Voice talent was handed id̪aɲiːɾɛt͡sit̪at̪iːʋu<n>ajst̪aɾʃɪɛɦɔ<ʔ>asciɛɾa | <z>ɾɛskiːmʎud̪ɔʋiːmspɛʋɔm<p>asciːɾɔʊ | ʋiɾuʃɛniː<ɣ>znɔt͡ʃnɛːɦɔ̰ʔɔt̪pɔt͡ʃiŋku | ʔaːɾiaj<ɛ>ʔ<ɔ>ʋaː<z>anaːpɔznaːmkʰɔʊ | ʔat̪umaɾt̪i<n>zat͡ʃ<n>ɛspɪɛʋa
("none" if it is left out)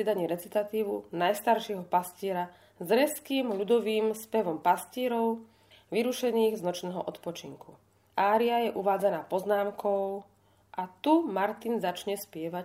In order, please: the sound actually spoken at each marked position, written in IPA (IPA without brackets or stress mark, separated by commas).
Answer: n, p, z, p, ɣ, ɛ, u, d͡z, n, ɲ